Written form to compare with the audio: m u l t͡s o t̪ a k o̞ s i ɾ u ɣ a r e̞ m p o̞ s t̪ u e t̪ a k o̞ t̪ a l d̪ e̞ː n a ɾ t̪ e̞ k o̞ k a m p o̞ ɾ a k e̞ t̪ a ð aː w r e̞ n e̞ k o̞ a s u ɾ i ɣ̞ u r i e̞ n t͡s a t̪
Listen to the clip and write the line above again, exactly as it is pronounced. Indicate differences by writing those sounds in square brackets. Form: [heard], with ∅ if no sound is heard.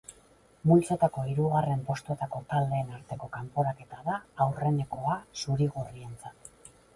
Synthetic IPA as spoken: m u l t͡s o t̪ a k o̞ [∅] i ɾ u ɣ a r e̞ m p o̞ s t̪ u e t̪ a k o̞ t̪ a l d̪ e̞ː n a ɾ t̪ e̞ k o̞ k a m p o̞ ɾ a k e̞ t̪ a ð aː w r e̞ n e̞ k o̞ a s u ɾ i ɣ̞ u r i e̞ n t͡s a t̪